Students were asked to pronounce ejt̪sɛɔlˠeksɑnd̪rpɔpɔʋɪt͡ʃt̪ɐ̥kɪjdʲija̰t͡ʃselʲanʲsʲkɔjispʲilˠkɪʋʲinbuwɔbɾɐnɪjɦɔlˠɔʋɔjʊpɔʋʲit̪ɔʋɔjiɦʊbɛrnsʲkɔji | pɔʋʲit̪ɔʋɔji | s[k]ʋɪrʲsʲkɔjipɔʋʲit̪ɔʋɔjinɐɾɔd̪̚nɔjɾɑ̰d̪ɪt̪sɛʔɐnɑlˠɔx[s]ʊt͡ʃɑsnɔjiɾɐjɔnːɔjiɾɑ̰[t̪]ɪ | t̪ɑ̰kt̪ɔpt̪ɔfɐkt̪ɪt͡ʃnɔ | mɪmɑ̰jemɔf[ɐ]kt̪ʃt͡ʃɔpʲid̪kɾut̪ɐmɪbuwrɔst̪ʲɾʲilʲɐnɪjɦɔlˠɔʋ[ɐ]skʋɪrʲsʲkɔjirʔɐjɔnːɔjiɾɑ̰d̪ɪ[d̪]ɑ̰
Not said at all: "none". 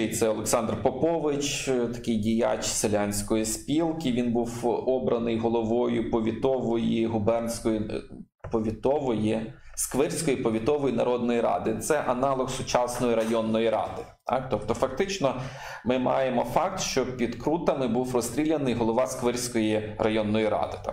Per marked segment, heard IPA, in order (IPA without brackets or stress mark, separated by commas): k, s, d̪, ɑ, ɑ, t̪